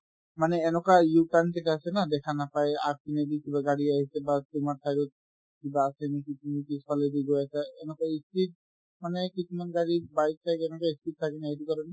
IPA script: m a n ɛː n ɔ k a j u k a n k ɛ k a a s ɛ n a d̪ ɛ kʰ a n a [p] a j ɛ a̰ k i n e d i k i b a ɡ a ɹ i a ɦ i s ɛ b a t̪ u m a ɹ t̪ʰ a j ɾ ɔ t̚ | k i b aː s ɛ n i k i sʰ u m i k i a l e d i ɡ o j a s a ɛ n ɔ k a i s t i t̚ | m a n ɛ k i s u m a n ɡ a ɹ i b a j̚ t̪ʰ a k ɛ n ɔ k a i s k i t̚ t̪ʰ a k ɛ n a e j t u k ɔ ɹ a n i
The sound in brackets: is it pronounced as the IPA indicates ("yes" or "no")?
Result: yes